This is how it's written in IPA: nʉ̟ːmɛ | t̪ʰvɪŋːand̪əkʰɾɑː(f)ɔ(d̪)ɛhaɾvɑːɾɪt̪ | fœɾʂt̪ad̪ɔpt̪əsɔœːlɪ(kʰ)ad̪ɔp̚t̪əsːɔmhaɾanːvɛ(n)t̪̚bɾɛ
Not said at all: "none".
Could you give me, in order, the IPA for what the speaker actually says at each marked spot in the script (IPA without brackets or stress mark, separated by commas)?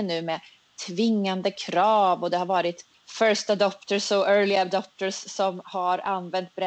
v, d̪, none, n